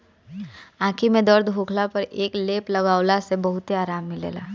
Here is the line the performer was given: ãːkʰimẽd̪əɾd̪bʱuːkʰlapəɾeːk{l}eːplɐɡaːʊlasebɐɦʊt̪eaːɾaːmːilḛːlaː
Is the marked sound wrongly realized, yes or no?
no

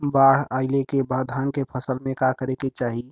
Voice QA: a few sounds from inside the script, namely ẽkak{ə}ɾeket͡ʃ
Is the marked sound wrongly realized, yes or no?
no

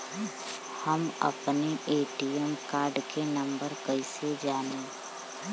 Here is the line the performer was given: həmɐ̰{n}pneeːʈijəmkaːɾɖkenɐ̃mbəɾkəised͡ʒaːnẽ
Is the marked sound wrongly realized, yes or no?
yes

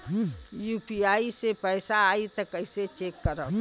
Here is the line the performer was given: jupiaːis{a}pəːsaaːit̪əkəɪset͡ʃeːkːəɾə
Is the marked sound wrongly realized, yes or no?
yes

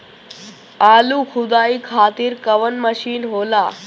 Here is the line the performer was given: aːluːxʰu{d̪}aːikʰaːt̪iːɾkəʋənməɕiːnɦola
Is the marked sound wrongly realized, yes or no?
no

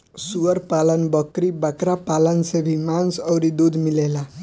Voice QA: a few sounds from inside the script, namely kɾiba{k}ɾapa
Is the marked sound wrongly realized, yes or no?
no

